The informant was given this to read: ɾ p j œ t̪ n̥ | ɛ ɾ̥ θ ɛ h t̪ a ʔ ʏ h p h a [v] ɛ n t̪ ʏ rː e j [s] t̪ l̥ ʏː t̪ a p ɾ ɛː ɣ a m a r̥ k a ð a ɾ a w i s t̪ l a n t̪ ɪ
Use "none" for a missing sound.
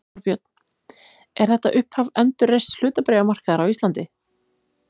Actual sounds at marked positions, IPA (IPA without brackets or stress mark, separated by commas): v, s